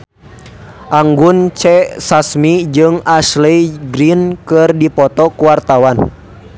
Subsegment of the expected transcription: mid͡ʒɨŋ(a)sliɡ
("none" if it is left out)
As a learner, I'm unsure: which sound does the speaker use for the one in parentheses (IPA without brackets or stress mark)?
a